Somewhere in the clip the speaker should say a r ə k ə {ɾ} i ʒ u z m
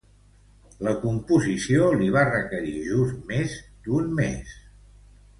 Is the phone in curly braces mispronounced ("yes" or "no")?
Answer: no